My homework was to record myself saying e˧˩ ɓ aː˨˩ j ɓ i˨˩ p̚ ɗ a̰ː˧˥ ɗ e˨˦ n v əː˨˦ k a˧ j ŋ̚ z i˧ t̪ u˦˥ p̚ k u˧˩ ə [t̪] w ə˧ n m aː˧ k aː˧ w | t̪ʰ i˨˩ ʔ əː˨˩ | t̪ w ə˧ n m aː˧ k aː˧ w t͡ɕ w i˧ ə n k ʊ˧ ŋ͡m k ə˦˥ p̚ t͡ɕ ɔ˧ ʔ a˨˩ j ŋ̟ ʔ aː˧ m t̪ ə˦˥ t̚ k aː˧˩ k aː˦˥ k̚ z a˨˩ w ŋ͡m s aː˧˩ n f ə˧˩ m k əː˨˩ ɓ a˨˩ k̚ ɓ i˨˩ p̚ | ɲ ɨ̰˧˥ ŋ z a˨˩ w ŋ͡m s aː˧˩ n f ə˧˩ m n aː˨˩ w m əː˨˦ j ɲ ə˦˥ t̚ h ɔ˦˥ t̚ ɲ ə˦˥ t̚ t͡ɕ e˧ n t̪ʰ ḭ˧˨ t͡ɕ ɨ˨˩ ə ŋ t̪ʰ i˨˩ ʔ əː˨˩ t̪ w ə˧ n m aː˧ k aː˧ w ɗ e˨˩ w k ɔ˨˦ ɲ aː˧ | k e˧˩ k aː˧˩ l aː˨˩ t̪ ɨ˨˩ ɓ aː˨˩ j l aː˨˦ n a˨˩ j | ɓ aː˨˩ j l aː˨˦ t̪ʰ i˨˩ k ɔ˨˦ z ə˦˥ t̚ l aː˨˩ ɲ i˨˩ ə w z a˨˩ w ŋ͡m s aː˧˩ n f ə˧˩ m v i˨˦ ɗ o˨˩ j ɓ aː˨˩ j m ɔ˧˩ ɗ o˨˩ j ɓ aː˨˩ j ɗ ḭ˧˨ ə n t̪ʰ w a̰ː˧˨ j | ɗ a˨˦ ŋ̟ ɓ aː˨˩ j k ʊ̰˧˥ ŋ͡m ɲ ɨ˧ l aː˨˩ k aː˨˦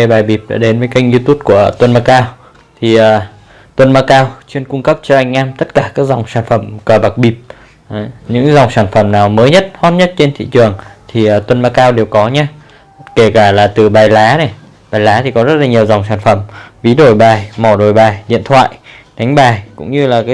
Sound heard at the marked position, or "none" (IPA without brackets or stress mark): t̪